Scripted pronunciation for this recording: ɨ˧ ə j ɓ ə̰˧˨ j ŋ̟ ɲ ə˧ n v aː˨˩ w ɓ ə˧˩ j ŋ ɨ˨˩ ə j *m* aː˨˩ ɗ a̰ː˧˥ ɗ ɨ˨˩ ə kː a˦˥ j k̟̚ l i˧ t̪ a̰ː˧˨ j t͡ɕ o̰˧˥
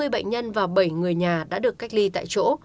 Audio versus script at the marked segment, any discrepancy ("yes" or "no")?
yes